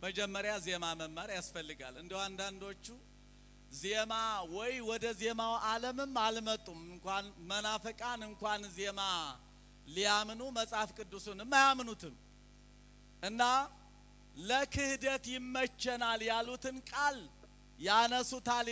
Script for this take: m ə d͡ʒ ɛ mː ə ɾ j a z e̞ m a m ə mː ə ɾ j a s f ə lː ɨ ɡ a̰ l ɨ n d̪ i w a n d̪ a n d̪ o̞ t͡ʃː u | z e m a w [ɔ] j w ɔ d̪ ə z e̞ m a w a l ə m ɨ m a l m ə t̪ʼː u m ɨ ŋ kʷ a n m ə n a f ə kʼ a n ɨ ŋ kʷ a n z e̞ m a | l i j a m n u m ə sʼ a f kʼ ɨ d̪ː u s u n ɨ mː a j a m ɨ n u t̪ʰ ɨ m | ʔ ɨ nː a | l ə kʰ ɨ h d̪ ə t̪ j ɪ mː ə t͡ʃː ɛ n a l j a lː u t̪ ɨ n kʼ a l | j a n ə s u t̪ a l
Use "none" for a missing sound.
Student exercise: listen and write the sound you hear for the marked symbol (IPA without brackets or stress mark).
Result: ɔ